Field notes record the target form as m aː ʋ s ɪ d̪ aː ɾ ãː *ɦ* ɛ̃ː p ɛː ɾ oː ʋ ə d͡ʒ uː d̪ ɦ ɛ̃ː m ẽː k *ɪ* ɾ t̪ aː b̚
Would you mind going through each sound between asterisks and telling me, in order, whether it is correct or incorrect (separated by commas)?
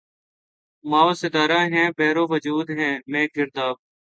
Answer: correct, correct